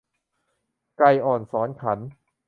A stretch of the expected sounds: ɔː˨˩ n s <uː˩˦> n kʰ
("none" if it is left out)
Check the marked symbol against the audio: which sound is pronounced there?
ɔː˩˦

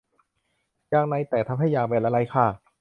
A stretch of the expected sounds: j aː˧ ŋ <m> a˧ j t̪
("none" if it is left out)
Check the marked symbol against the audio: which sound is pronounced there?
n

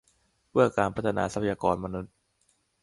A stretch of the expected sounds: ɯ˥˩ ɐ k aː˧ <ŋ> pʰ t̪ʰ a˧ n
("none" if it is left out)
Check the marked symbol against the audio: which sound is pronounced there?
n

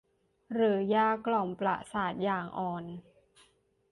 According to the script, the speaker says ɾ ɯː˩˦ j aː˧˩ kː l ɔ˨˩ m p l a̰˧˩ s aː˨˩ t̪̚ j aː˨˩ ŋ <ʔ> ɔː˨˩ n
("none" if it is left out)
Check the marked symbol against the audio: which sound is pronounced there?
ʔ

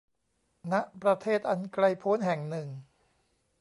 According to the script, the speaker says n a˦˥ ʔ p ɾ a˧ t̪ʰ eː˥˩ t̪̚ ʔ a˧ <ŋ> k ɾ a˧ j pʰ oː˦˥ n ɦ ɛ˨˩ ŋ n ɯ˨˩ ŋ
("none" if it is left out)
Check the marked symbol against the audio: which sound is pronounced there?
n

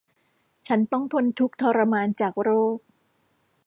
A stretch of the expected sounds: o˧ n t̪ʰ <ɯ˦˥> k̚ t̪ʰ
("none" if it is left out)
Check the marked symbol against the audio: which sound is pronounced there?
u˦˥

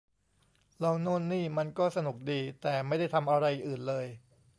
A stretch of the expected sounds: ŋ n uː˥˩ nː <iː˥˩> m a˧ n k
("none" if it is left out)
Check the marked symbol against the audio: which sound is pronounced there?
iː˥˩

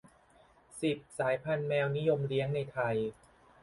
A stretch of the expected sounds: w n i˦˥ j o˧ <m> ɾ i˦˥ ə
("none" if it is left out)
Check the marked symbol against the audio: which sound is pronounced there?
m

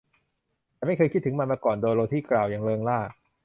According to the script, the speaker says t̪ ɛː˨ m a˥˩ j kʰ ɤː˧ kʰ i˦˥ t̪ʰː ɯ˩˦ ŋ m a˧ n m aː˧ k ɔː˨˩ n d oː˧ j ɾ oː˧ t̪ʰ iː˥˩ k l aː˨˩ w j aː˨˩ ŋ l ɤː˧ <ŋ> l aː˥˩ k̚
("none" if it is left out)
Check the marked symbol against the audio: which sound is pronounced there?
ŋ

